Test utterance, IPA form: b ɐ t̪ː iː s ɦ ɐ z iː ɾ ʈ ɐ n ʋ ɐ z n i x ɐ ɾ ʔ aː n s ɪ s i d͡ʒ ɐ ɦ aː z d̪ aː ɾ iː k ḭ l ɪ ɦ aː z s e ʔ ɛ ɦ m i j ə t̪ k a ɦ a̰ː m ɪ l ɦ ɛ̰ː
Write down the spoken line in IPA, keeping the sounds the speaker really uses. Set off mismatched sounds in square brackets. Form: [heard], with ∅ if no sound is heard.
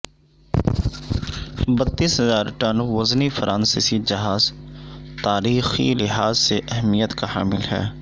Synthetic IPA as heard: b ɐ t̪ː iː s ɦ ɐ z [aː] ɾ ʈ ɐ n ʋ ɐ z n i [f] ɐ ɾ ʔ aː n s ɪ s i d͡ʒ ɐ ɦ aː z [t̪] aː ɾ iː [x] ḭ l ɪ ɦ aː z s e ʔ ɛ ɦ m i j ə t̪ k a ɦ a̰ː m ɪ l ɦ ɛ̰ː